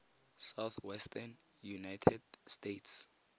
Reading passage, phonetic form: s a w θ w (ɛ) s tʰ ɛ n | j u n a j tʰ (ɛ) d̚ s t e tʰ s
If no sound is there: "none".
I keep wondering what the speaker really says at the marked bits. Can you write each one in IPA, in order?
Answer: ɛ, ɛ

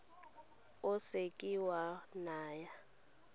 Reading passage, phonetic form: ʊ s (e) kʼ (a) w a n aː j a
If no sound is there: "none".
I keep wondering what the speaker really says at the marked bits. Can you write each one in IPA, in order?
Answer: e, i

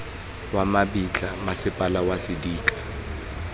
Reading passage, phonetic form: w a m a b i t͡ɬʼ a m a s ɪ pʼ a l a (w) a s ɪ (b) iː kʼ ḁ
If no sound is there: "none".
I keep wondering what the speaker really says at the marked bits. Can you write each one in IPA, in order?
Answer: w, d

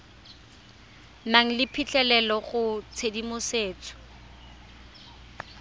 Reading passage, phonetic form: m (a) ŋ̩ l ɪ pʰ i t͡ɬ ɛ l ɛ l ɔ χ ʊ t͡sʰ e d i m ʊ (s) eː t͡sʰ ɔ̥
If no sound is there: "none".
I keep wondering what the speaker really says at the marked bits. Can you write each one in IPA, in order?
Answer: a, s

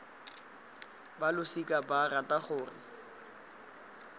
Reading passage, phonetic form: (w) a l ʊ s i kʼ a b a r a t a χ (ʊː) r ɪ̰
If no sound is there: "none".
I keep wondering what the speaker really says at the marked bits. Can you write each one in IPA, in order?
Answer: b, ʊː

